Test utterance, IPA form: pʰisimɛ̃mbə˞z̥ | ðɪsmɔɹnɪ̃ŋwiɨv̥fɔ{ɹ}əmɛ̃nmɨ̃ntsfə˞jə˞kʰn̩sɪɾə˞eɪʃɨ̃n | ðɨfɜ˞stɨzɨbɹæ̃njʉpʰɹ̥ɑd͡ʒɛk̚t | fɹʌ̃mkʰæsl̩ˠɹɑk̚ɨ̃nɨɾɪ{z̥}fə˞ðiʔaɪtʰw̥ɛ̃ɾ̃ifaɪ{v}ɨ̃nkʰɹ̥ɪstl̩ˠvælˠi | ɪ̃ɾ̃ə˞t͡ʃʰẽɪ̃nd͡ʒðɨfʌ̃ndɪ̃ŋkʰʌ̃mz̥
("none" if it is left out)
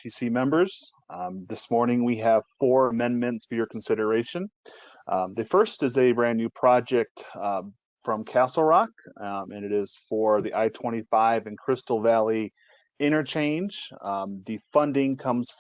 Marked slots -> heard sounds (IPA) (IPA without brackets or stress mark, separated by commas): ɹ, z̥, v